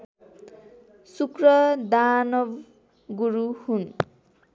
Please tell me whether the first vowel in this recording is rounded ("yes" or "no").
yes